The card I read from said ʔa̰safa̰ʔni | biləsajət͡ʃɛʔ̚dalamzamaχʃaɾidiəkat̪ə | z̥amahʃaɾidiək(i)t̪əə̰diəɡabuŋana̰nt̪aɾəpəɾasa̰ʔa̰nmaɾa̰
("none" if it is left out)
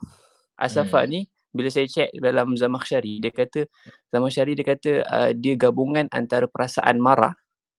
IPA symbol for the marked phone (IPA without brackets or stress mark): a